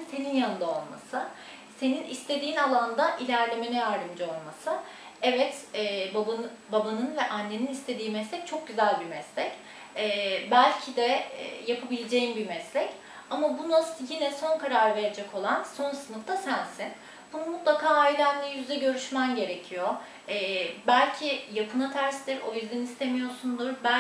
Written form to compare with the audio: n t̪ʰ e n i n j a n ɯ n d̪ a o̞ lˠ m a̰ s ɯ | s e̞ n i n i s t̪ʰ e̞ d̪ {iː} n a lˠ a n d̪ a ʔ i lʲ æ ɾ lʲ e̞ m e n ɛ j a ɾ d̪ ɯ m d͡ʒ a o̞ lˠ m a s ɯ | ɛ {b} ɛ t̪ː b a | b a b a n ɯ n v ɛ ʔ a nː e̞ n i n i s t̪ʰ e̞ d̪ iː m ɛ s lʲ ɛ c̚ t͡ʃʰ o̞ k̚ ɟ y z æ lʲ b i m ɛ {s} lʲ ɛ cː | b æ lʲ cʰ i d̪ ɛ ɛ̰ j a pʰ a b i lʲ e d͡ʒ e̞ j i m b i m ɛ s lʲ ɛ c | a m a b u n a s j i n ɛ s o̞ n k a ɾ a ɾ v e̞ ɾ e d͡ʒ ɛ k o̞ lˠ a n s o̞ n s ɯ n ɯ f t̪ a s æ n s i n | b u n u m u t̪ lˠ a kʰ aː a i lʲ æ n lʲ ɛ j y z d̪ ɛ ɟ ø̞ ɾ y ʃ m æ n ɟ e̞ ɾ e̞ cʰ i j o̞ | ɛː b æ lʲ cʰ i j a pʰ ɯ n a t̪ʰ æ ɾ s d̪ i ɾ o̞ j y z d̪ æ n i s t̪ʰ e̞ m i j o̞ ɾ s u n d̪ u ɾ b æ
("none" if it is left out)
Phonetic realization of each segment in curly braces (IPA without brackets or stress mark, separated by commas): iː, v, s